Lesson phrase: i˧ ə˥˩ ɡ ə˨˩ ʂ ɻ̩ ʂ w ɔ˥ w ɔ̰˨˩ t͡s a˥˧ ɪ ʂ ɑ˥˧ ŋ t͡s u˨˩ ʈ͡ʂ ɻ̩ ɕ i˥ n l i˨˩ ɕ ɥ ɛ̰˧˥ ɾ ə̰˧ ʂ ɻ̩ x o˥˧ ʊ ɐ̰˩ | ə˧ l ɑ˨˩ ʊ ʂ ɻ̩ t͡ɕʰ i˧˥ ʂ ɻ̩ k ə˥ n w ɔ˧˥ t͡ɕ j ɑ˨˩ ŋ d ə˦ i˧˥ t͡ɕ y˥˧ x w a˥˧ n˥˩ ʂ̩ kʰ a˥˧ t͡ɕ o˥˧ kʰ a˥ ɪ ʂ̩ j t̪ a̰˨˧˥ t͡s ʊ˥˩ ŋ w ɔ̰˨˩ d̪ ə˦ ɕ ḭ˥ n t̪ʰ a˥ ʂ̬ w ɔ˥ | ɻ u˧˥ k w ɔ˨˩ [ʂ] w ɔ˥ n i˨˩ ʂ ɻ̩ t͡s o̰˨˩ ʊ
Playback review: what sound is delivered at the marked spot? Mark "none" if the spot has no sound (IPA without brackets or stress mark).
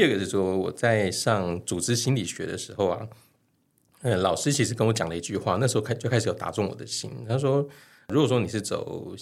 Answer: ʂ